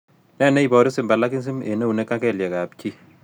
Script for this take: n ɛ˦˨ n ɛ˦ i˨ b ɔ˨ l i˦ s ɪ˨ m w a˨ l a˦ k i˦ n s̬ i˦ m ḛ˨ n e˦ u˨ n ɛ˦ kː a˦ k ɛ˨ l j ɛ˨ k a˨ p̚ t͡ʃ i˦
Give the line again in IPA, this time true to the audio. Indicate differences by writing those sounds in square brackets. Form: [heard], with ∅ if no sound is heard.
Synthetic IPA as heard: n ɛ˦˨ n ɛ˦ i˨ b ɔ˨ [ɾ] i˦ s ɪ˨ m [b] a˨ l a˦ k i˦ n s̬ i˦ m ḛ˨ n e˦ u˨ n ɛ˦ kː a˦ k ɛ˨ l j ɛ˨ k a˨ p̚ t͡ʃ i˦